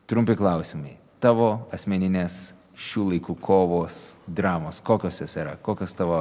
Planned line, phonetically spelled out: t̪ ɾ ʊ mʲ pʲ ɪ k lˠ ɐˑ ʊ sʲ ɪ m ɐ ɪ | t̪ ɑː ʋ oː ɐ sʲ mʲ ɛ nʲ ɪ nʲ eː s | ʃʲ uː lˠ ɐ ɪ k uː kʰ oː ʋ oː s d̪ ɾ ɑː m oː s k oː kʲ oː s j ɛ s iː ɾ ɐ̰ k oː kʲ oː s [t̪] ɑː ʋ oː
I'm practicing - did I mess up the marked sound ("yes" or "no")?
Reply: no